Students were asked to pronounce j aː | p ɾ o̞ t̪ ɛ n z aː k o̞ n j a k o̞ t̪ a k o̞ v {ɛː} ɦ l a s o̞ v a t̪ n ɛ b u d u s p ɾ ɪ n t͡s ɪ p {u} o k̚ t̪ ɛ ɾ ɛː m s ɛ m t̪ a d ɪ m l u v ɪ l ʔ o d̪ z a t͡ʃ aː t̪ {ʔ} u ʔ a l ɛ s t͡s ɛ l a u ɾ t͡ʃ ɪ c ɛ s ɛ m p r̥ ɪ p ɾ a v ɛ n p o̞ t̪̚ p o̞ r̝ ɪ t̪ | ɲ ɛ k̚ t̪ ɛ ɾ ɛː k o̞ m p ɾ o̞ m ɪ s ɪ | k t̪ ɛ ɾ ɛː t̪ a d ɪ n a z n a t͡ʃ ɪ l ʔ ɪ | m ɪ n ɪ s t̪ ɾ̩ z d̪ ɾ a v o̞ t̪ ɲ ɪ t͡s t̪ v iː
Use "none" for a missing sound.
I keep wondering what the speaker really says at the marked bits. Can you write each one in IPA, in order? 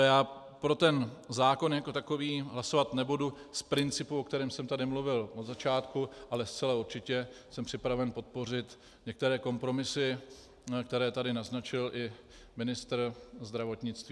iː, u, k

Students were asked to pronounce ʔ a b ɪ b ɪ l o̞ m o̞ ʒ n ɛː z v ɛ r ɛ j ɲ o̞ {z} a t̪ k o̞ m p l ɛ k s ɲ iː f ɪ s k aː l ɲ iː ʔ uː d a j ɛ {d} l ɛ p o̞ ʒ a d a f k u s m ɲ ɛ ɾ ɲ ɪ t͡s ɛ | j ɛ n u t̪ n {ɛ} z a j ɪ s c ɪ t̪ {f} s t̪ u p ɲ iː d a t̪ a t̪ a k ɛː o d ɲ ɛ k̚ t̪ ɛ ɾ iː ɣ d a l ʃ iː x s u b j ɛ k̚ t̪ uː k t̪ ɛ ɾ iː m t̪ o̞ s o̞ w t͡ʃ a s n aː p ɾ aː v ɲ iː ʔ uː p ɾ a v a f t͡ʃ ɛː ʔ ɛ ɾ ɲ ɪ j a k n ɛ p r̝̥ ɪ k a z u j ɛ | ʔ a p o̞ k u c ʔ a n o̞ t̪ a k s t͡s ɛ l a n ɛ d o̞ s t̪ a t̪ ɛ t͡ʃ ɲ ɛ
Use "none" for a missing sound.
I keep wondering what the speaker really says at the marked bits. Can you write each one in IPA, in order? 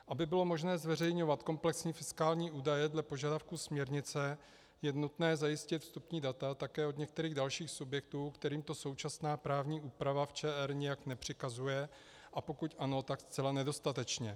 v, d, ɛː, f

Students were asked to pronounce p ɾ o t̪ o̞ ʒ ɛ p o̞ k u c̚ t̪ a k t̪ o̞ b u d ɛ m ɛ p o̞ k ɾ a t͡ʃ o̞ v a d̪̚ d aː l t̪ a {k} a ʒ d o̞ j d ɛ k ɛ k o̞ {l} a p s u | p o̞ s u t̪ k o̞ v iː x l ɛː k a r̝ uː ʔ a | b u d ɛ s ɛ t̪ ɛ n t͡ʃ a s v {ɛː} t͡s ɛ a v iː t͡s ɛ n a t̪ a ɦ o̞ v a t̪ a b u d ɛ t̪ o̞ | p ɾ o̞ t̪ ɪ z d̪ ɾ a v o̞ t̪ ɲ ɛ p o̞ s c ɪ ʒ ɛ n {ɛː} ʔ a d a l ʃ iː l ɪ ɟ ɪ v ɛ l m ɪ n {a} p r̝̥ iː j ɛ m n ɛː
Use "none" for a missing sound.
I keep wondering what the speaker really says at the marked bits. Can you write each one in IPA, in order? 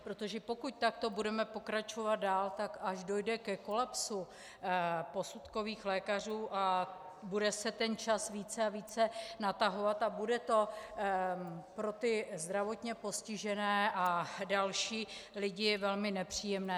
k, l, iː, ɛː, ɛ

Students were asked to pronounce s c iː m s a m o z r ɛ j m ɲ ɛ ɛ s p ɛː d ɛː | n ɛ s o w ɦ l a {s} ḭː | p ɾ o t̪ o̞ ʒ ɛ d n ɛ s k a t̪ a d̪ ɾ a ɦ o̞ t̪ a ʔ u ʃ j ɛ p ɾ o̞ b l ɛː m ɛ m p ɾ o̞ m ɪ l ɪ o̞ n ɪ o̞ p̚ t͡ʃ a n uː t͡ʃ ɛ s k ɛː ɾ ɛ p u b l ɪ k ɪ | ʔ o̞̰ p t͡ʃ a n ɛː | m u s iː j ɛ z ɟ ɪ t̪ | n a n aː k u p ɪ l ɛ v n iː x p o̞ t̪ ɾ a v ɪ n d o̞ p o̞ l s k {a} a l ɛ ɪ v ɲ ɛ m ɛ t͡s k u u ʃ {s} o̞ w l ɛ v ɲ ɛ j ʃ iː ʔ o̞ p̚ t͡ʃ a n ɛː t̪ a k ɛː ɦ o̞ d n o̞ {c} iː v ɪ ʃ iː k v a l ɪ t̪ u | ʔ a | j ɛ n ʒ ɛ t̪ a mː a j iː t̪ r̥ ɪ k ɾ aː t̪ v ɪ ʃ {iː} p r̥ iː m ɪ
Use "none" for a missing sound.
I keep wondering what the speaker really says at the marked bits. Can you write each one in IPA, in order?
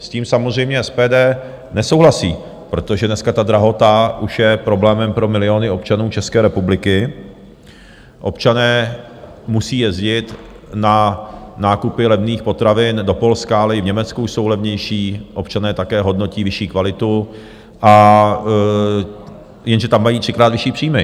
s, a, s, c, iː

